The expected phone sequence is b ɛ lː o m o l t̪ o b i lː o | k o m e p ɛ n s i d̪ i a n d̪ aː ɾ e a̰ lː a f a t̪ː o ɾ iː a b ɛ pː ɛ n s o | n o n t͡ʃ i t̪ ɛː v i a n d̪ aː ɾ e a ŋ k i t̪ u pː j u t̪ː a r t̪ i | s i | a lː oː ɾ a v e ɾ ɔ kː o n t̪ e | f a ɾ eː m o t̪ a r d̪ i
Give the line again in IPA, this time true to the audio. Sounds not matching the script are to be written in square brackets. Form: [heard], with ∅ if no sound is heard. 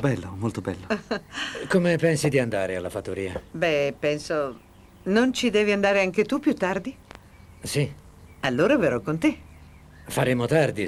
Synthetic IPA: b ɛ lː o m o l t̪ o b [ɛ] lː o | k o m e p ɛ n s i d̪ i a n d̪ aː ɾ e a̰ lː a f a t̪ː o ɾ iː a b ɛ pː ɛ n s o | n o n t͡ʃ i [d̪] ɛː v i a n d̪ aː ɾ e a ŋ k [e] t̪ u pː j u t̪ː a r [d̪] i | s i | a lː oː ɾ a v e ɾ ɔ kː o n t̪ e | f a ɾ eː m o t̪ a r d̪ i